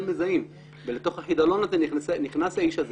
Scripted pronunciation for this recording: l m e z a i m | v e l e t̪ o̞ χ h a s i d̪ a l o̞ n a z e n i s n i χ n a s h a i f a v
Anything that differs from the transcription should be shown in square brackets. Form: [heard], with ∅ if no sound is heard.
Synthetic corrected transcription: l m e z a i m | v e l e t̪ o̞ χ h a [ħ] i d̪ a l o̞ n a z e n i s n i χ n a s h a i [ʃ] a [z]